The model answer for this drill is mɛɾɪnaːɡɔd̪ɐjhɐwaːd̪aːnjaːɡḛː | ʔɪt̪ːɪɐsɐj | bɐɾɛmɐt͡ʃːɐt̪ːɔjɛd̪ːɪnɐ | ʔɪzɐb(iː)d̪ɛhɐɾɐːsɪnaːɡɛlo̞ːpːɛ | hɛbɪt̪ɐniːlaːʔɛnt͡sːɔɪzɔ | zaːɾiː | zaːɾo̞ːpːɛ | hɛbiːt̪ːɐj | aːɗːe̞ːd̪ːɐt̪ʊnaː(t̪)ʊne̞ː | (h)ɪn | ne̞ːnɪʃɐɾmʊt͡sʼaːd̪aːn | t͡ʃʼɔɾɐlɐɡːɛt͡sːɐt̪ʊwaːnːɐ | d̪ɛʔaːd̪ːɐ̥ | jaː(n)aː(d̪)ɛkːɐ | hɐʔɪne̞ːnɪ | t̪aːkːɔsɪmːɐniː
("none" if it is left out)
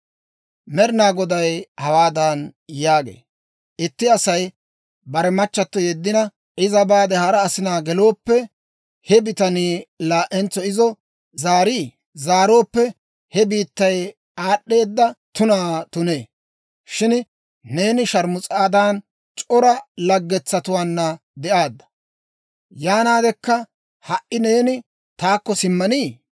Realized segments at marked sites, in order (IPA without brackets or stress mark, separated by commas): aː, t̪, ʃ, n, d̪